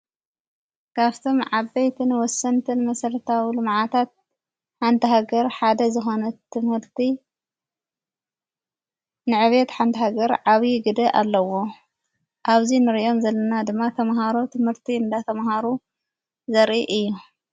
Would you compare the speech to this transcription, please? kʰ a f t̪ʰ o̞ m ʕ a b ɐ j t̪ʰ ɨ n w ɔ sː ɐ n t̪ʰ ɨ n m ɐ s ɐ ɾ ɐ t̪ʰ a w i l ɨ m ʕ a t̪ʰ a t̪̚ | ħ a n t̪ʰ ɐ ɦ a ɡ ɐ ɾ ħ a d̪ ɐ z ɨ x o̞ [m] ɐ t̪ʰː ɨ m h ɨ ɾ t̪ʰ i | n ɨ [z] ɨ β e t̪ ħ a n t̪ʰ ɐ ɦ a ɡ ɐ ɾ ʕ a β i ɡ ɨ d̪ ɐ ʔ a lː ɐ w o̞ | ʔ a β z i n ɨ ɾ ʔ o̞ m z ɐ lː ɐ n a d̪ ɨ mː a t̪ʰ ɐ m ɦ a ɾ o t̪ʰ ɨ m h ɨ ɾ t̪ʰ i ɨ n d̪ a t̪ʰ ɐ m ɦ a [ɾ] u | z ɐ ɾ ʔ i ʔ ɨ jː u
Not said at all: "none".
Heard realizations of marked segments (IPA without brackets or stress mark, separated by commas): n, ʕ, ɾ